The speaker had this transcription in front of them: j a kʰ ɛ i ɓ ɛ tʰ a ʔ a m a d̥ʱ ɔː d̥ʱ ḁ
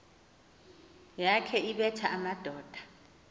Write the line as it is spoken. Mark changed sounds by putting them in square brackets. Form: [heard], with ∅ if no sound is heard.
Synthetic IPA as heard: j a kʰ ɛ i ɓ ɛ tʰ a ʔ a m a d̥ʱ ɔː d̥ʱ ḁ